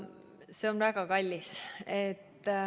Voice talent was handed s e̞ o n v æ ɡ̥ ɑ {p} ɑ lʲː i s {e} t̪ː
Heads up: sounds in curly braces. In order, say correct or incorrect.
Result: incorrect: k, correct

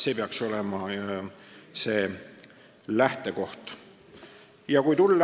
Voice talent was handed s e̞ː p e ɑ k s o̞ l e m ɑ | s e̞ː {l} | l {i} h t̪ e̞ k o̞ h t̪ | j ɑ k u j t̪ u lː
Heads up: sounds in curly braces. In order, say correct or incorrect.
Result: incorrect: none, incorrect: æ

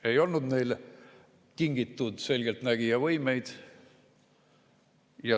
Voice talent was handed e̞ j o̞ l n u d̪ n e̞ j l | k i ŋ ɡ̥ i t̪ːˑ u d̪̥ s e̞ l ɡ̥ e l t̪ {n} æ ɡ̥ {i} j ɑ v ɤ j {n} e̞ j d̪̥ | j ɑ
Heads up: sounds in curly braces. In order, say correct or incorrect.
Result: correct, correct, incorrect: m

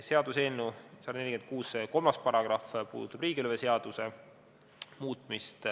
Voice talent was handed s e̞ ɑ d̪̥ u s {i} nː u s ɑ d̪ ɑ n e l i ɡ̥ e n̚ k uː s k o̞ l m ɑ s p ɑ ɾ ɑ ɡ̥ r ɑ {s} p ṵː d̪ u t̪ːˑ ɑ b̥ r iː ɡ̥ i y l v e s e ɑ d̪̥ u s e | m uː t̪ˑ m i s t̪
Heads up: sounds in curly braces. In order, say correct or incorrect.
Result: incorrect: e, incorrect: f

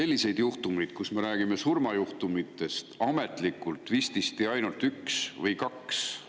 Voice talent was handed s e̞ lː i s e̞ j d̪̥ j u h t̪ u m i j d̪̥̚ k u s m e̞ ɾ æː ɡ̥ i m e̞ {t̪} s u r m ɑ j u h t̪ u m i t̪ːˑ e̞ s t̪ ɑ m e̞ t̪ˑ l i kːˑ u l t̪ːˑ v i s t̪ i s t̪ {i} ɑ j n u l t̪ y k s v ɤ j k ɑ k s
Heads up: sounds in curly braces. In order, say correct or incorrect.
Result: incorrect: none, correct

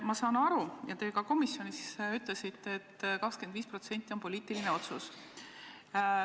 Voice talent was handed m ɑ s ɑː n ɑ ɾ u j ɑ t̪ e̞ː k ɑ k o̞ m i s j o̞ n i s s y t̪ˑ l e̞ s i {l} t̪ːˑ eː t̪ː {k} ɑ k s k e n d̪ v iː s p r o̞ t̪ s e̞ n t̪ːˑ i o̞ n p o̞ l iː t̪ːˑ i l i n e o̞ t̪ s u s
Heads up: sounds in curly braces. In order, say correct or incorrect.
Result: incorrect: none, correct

